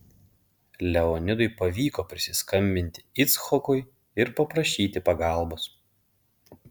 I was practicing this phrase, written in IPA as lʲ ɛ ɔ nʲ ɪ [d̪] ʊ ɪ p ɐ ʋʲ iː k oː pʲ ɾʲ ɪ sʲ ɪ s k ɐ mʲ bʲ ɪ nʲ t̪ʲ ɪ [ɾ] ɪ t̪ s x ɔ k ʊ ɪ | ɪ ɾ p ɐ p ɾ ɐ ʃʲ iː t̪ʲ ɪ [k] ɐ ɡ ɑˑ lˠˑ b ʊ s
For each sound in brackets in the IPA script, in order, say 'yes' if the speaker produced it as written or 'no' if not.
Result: yes, no, no

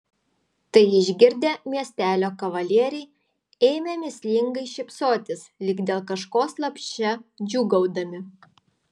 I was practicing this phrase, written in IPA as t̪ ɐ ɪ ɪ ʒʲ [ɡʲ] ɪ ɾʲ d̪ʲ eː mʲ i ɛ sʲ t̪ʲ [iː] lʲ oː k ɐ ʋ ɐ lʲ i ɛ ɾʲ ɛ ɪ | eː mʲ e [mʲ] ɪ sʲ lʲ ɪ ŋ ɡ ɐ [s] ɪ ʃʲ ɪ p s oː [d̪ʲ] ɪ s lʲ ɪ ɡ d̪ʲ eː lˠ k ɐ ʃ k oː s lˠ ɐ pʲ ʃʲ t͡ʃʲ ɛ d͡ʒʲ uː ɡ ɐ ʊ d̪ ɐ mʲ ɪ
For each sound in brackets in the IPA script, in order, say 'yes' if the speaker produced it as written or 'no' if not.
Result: yes, no, yes, no, no

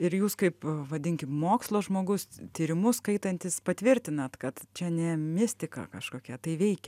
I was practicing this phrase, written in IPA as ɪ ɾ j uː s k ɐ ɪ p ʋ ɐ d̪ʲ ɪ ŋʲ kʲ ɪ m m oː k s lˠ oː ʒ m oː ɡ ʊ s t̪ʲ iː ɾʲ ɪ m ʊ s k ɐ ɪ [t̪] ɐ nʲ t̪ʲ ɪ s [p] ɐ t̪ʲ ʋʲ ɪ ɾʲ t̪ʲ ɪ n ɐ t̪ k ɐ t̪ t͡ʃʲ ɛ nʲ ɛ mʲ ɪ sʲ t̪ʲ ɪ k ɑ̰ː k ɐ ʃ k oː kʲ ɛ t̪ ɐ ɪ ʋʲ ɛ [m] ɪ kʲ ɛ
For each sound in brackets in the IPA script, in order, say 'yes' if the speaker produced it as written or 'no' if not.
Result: yes, yes, no

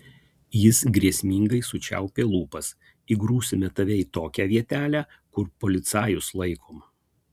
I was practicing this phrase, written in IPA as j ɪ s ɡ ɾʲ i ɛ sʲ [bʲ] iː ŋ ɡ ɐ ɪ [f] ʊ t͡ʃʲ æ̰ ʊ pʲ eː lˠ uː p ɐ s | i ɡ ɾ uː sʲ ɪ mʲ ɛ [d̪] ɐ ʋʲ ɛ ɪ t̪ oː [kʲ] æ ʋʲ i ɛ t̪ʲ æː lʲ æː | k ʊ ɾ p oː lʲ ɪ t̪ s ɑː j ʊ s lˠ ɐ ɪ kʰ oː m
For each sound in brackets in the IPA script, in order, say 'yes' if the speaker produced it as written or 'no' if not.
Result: no, no, no, yes

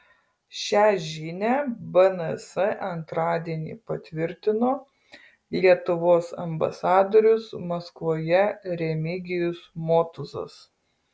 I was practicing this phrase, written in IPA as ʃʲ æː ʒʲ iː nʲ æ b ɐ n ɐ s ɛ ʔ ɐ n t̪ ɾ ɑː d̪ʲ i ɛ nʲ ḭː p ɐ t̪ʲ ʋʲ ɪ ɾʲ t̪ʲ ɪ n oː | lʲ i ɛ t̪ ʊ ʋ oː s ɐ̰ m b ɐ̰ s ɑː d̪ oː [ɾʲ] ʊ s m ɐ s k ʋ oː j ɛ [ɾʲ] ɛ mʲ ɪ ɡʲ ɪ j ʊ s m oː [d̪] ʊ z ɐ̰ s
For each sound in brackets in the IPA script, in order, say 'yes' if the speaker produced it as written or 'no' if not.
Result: yes, yes, no

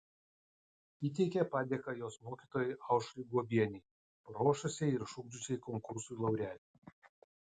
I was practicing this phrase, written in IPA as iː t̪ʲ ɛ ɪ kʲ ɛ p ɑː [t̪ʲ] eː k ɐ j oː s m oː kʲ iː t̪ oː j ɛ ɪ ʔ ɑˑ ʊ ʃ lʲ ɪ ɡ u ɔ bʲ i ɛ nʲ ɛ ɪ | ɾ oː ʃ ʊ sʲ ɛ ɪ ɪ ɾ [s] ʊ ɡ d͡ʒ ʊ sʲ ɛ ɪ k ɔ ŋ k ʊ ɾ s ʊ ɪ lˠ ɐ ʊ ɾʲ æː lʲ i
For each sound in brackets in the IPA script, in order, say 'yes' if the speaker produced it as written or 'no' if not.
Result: no, no

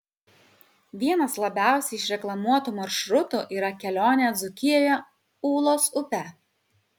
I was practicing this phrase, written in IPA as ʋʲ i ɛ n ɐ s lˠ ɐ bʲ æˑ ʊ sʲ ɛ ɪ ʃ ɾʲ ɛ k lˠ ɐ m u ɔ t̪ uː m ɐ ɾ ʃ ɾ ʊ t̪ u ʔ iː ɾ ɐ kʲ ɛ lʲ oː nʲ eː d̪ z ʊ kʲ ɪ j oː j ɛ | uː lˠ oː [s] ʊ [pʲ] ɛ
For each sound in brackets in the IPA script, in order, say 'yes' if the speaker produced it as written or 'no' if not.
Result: yes, yes

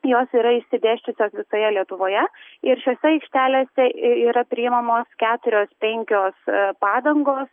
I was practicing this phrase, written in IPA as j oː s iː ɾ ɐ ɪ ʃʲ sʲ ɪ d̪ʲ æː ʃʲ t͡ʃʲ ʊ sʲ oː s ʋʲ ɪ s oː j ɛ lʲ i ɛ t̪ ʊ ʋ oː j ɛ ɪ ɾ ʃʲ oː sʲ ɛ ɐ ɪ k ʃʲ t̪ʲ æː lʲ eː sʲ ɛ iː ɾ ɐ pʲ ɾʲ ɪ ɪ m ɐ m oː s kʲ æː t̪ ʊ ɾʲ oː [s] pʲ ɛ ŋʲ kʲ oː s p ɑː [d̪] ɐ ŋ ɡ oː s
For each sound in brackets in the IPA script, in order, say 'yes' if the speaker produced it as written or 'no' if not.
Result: yes, yes

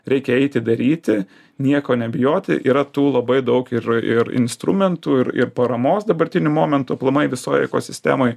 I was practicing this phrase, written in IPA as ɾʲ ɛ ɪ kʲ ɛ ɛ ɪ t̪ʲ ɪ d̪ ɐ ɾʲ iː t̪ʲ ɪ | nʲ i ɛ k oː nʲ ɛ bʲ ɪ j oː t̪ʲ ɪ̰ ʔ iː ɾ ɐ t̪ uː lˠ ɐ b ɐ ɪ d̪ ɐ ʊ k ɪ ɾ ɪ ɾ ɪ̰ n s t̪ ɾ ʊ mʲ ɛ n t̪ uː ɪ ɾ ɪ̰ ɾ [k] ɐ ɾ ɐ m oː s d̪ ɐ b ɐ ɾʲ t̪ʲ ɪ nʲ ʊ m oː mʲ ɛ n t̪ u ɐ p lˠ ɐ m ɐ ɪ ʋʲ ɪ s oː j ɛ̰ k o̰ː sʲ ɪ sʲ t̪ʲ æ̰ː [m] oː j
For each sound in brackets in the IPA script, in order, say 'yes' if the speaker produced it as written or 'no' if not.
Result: no, yes

